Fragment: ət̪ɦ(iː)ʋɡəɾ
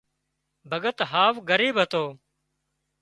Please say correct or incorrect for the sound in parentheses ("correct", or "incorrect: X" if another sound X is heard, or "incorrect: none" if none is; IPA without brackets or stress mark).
incorrect: aː